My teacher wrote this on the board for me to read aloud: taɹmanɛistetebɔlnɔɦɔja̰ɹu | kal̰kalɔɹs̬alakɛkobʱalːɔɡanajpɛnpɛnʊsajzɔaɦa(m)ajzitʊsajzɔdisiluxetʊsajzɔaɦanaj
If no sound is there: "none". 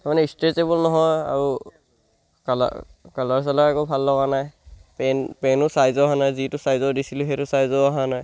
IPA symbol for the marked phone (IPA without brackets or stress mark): n